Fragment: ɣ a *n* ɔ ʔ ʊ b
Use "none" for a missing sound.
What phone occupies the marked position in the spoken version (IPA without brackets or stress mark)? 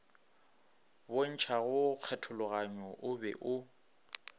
ɲ